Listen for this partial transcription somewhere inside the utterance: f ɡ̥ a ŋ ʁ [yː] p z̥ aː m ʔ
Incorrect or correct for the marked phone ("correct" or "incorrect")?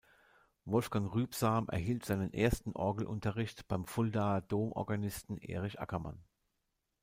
correct